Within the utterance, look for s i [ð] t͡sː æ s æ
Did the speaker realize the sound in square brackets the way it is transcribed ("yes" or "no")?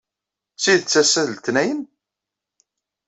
yes